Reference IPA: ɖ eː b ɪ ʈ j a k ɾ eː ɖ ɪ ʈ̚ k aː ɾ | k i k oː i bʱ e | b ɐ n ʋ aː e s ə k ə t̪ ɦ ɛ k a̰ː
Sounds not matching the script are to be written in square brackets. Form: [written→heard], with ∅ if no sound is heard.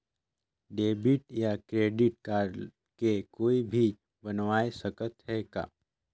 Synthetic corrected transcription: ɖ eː b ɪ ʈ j a k ɾ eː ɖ ɪ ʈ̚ k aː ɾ | k [i→e] k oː i bʱ [e→i] | b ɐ n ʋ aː e s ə k ə t̪ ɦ ɛ k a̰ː